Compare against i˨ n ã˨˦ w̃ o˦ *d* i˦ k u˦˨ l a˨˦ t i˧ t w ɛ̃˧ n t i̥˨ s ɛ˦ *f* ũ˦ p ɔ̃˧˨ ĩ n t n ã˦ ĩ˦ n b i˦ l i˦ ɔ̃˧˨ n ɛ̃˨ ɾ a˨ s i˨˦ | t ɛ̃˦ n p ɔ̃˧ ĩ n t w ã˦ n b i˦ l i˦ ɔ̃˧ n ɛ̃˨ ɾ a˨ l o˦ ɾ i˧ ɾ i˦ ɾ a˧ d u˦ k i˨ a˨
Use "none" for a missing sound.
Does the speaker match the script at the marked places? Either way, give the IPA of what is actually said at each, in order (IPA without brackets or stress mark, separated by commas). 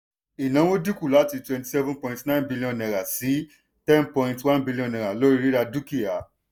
d, v